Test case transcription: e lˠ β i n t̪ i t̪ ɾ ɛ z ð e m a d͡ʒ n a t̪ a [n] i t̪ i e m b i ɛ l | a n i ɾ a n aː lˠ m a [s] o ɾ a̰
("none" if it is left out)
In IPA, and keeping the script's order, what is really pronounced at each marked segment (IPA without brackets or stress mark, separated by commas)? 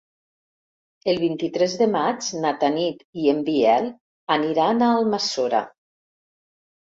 n, s